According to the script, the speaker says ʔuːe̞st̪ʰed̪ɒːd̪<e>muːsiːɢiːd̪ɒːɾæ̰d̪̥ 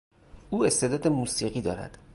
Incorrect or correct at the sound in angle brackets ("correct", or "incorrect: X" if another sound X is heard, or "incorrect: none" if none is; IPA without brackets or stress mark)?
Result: correct